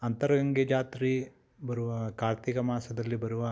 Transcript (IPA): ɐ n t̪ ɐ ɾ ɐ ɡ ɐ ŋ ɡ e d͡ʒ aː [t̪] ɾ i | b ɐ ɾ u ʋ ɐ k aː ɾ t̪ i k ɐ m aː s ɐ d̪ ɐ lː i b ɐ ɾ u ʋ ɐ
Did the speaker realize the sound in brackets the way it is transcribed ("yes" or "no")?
yes